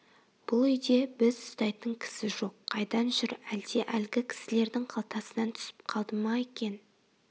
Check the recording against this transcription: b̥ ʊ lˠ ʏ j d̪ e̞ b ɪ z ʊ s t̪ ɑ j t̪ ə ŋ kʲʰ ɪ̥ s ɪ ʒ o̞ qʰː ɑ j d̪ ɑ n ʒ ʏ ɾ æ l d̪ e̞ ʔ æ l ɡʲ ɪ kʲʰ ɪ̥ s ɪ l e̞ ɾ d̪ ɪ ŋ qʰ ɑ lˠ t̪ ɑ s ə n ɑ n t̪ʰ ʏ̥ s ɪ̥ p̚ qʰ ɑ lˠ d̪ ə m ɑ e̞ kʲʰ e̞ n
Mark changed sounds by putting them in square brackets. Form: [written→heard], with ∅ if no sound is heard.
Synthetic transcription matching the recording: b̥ ʊ lˠ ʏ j d̪ e̞ b ɪ z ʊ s t̪ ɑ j t̪ ə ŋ kʲʰ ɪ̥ s ɪ ʒ o̞ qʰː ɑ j d̪ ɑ n ʒ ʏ ɾ æ l d̪ e̞ ʔ æ l ɡʲ ɪ kʲʰ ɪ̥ s ɪ l e̞ ɾ d̪ ɪ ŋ qʰ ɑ lˠ t̪ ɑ s ə n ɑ n t̪ʰ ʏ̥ s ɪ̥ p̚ qʰ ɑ lˠ d̪ ə m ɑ e̞ [kʲʰ→kʲ] e̞ n